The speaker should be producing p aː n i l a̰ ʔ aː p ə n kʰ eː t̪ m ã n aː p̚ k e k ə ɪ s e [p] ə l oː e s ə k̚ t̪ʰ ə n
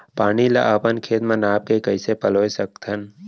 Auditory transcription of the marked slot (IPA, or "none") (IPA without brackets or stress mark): p